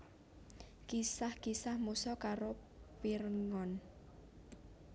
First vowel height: high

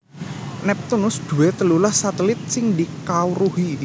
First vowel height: mid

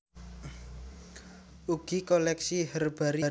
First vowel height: high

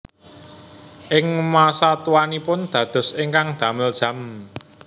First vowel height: high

